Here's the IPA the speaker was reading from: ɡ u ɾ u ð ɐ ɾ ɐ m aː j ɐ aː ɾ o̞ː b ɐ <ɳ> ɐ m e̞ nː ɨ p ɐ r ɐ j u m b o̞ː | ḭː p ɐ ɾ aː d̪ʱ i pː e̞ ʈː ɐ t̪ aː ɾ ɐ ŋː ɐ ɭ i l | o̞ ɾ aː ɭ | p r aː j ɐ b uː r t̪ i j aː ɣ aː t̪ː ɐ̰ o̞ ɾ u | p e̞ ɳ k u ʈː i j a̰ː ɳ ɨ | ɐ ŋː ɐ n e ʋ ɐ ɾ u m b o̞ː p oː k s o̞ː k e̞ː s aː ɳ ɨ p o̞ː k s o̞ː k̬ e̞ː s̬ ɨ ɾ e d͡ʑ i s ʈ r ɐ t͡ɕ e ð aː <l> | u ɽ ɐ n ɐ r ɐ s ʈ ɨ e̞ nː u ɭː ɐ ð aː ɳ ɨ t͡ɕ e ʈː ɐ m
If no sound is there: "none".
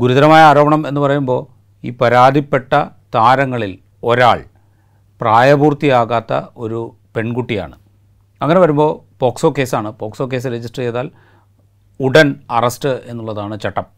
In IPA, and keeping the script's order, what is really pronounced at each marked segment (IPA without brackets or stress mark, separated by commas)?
ɳ, l